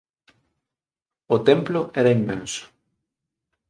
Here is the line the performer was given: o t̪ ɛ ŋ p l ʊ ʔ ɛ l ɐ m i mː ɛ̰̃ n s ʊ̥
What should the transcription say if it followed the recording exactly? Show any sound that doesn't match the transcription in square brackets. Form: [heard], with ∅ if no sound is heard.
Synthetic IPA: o t̪ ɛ [m] p l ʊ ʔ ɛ [ɾ] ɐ [∅] i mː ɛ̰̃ n s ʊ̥